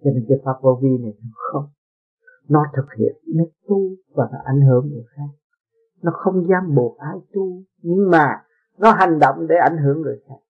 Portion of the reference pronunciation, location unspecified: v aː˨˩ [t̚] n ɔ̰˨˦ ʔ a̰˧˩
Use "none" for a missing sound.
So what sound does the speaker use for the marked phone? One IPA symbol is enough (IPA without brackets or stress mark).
none